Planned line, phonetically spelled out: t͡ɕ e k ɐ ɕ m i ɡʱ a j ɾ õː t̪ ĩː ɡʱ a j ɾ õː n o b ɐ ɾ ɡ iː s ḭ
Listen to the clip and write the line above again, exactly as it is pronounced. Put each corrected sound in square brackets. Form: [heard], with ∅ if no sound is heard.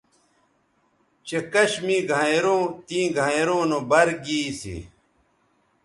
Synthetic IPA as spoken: t͡ɕ e k ɐ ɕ m i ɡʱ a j ɾ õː t̪ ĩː ɡʱ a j ɾ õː n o b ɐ ɾ ɡ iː s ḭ